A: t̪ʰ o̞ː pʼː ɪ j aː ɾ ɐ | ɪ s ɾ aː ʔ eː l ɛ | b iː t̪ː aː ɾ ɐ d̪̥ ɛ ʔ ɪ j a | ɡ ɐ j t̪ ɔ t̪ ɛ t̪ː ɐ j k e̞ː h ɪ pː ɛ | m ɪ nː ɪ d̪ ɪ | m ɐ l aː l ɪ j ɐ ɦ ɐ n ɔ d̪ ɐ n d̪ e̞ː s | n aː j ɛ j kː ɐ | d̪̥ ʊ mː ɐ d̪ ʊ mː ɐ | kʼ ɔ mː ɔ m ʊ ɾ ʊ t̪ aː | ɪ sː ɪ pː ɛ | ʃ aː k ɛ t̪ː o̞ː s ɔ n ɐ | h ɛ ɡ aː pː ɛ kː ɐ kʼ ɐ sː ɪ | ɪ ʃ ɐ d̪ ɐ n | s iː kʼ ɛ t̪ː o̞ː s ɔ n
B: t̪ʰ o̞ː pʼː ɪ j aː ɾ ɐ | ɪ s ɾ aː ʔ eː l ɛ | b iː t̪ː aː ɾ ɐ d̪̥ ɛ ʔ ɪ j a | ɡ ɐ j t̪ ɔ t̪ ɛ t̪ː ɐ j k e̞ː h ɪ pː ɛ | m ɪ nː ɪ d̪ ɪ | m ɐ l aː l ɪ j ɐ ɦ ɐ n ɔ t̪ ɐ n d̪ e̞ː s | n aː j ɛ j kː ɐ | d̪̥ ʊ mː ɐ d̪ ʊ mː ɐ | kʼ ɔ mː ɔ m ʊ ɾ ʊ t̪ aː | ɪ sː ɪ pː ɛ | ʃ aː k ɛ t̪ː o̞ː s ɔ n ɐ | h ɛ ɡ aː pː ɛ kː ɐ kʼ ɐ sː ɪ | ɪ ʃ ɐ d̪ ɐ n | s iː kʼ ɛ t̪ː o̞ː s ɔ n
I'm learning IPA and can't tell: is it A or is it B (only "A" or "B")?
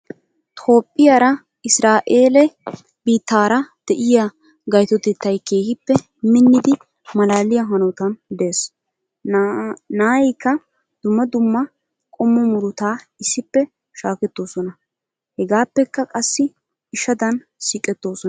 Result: B